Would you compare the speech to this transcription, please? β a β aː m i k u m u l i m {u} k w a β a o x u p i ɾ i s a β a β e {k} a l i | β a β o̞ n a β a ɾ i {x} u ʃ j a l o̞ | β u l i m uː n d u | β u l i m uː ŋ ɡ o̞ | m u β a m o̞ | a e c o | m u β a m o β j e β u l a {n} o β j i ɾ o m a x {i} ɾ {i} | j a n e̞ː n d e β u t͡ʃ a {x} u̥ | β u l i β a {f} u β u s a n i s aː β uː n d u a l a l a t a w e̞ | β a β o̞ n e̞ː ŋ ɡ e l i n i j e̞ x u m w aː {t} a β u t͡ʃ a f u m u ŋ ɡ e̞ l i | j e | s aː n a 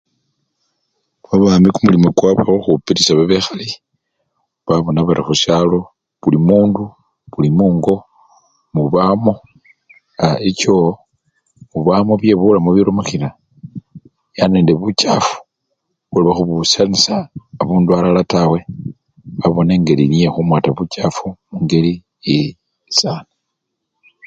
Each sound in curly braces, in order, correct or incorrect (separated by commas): incorrect, incorrect, correct, incorrect, correct, incorrect, incorrect, incorrect, correct